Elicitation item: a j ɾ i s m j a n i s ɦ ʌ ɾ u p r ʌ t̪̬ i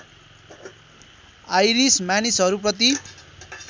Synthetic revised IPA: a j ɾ i s m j a n i s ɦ ʌ ɾ u p r ʌ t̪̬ i